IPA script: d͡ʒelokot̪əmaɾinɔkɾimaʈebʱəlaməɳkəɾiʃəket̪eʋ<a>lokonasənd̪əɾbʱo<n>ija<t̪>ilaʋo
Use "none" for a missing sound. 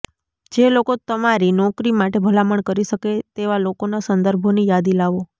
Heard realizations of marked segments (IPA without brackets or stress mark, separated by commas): a, n, d̪